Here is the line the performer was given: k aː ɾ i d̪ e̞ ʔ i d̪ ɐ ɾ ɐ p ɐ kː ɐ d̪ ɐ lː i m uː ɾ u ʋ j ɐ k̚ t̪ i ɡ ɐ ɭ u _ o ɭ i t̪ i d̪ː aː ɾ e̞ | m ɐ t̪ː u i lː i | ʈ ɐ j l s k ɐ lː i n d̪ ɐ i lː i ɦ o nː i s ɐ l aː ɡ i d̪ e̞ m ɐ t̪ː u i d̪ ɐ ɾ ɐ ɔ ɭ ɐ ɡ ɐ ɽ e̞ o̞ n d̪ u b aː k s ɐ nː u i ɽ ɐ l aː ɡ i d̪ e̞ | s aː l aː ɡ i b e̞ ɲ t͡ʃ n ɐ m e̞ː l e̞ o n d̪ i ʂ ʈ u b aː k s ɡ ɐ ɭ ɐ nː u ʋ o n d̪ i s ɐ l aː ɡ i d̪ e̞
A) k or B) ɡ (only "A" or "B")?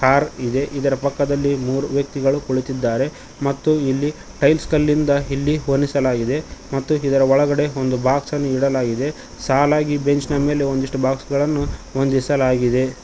A